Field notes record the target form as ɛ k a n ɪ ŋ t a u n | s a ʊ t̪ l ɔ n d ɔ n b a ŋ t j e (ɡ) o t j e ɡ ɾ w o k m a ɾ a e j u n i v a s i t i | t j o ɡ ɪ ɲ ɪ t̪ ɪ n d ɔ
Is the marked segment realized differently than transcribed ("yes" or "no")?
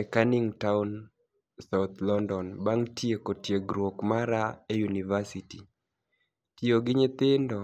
yes